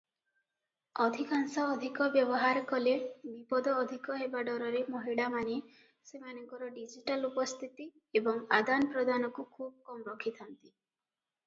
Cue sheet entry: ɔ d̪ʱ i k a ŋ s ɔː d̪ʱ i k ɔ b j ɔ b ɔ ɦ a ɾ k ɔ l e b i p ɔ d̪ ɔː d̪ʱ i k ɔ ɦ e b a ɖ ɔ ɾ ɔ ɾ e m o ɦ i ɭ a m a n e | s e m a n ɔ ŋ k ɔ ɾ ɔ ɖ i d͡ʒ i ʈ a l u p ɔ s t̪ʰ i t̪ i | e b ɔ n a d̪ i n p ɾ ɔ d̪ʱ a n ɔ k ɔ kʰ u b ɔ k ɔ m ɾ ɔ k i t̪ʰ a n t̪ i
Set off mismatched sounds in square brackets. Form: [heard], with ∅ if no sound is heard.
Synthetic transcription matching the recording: ɔ d̪ʱ i k a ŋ s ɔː d̪ʱ i k ɔ b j ɔ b ɔ ɦ a ɾ k ɔ l e b i p ɔ d̪ ɔː d̪ʱ i k ɔ ɦ e b a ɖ ɔ ɾ ɔ ɾ e m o ɦ i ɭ a m a n e | s e m a n ɔ ŋ k ɔ ɾ ɔ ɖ i d͡ʒ i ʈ a l u p ɔ s t̪ʰ i t̪ i | e b ɔ [ŋ] a d̪ [a] n p ɾ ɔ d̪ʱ a n ɔ k [u] kʰ u b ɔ k ɔ m ɾ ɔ [kʰ] i t̪ʰ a n t̪ i